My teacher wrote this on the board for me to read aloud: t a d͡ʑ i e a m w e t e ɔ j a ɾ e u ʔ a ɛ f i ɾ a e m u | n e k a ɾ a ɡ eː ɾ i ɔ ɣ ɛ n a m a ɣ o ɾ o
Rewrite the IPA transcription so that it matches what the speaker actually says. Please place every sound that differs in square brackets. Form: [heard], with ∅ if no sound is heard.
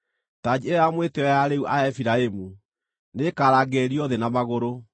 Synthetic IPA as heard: t a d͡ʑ i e a m w e t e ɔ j a ɾ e u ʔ a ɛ f i ɾ a e m u | n e k a ɾ a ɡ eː ɾ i ɔ [ð] ɛ n a m a ɣ o ɾ o